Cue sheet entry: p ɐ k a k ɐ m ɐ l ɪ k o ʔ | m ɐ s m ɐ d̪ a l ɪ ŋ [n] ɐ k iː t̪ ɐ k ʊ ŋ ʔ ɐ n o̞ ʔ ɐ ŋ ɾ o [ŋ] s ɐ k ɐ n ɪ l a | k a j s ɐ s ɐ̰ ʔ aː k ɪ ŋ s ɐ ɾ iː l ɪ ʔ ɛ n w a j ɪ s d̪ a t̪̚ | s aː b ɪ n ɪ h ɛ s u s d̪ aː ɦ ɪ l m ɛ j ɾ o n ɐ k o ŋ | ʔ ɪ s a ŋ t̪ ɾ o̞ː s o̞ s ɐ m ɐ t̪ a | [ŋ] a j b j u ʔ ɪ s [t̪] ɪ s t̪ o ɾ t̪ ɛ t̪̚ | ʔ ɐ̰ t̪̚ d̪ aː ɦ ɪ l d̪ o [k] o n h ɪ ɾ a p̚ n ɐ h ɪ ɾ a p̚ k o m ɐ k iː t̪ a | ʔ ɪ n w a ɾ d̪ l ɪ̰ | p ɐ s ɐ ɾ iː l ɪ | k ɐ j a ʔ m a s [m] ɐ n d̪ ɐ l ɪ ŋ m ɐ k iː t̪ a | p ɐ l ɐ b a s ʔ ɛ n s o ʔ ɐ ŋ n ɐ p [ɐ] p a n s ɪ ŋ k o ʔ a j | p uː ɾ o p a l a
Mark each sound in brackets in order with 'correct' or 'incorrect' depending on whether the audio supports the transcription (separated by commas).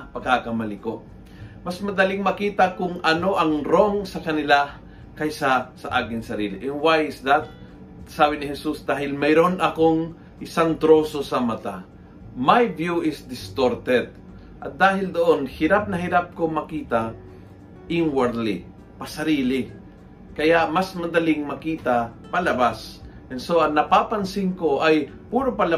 incorrect, correct, incorrect, incorrect, incorrect, correct, incorrect